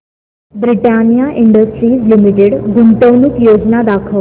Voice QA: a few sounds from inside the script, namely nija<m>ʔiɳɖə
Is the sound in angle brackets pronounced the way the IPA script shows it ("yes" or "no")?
no